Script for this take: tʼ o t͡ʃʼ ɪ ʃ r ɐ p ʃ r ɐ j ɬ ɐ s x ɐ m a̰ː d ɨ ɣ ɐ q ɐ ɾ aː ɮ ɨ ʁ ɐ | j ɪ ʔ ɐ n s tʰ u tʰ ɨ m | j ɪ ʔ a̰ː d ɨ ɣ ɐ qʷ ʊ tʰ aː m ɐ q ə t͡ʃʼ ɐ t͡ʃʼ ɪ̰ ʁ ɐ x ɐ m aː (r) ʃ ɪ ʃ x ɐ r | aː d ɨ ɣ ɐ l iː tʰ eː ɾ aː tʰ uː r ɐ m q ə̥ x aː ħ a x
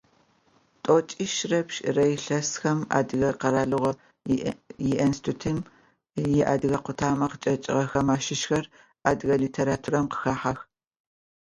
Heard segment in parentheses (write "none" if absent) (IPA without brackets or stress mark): none